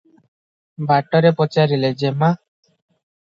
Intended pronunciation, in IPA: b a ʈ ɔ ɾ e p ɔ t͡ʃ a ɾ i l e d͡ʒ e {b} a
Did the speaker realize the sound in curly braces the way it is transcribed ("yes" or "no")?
no